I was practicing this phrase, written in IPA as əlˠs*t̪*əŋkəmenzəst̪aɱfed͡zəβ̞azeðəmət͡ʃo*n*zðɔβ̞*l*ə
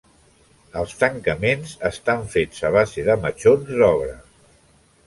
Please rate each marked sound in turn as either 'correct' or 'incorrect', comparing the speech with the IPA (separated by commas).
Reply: correct, correct, incorrect